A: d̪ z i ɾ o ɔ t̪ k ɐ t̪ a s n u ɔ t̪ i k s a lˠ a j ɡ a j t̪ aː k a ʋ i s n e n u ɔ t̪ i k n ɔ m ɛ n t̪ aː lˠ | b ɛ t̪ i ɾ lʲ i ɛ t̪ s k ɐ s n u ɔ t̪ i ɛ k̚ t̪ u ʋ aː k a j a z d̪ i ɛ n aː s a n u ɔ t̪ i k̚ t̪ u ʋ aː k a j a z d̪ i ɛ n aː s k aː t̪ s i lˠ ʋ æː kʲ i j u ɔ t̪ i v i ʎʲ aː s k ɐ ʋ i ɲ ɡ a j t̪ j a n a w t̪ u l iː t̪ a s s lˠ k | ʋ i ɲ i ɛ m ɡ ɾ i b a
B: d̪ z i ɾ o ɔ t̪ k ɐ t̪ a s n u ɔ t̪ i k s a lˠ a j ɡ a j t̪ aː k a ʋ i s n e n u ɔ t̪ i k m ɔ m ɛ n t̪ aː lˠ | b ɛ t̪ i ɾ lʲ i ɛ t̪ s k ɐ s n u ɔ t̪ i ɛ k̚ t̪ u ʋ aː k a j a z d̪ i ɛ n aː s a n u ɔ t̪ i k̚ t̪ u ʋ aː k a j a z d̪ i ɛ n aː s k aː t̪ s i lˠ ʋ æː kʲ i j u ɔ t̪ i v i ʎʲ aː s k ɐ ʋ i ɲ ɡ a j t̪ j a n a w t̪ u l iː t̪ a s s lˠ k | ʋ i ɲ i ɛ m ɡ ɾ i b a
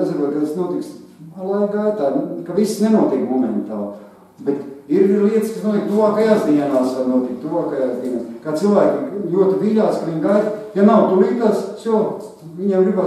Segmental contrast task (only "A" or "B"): B